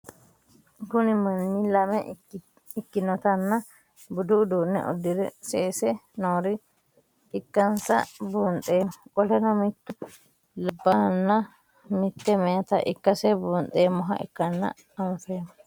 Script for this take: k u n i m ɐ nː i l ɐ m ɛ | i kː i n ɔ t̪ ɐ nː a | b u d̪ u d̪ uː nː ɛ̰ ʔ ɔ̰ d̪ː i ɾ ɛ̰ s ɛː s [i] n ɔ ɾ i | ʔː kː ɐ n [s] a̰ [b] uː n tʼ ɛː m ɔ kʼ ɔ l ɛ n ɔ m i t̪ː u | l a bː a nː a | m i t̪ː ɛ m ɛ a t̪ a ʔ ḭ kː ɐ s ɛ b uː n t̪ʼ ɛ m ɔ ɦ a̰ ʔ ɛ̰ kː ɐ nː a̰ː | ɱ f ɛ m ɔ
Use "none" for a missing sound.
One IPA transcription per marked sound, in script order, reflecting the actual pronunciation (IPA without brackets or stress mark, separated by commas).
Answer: ɛ, s, b